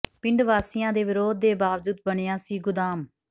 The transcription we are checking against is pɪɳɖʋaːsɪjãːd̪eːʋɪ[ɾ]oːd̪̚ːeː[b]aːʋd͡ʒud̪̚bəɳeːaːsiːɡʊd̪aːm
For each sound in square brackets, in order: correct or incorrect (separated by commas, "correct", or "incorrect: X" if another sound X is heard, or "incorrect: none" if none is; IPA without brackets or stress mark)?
correct, correct